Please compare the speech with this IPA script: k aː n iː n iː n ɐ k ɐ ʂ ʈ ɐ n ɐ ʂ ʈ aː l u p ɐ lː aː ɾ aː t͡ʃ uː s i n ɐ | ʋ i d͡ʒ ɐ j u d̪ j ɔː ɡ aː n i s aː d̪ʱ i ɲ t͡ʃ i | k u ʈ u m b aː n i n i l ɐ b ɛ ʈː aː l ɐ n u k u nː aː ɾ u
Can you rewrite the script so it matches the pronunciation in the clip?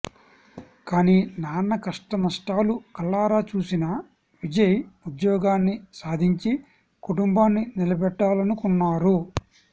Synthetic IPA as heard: k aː n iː n aː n ɐ k ɐ ʂ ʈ ɐ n ɐ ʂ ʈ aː l u k ɐ lː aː ɾ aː t͡ʃ uː s i n ɐ | ʋ i d͡ʒ ɐ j u d̪ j ɔː ɡ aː nː i s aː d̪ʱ i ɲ t͡ʃ i | k u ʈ u m b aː nː i n i l ɐ b ɛ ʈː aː l ɐ n u k u nː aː ɾ u